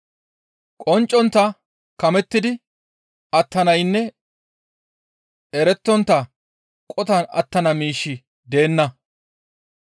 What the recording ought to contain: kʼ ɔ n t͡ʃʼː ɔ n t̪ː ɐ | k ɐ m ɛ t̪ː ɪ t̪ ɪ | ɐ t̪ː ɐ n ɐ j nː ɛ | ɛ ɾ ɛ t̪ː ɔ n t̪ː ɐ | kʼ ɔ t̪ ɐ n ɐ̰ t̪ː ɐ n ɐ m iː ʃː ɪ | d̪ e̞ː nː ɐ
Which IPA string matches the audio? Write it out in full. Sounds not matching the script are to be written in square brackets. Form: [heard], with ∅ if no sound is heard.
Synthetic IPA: kʼ ɔ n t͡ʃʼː ɔ n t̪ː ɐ | k ɐ m ɛ t̪ː ɪ [d̪] ɪ | ɐ t̪ː ɐ n ɐ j nː ɛ | ɛ ɾ ɛ t̪ː ɔ n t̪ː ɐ | kʼ ɔ t̪ ɐ n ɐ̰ t̪ː ɐ n ɐ m iː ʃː ɪ | d̪ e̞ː nː ɐ